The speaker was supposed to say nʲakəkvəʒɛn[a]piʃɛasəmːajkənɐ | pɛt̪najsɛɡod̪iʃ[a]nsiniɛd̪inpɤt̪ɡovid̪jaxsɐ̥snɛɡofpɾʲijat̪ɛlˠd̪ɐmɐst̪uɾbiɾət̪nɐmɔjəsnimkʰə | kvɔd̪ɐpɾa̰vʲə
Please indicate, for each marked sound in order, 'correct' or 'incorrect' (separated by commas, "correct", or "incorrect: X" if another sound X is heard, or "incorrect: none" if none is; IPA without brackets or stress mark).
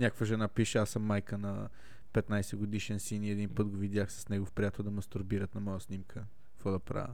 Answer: correct, incorrect: ɛ